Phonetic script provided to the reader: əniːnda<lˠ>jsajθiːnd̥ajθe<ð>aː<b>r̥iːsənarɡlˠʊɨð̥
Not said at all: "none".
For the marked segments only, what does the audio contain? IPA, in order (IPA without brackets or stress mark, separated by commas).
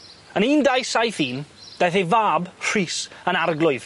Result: none, v, b